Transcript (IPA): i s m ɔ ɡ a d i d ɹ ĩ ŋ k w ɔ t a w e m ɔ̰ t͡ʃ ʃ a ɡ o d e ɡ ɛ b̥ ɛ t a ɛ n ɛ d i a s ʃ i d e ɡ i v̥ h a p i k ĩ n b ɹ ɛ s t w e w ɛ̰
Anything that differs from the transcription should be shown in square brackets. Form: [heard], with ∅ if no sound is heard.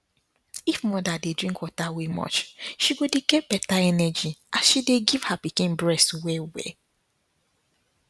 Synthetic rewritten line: i [f] m ɔ [d] a d [e] d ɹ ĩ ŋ k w ɔ t a w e m ɔ̰ t͡ʃ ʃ [i] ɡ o d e ɡ ɛ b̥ ɛ t a ɛ n ɛ [d͡ʒ] i a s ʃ i d e ɡ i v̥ h a p i k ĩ n b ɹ ɛ s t w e w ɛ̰